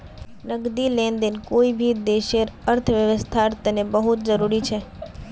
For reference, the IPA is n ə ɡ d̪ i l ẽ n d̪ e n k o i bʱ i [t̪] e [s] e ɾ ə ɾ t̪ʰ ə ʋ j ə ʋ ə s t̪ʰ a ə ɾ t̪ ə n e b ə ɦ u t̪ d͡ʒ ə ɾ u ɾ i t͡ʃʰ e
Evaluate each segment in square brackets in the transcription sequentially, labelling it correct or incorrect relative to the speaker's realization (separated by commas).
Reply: incorrect, incorrect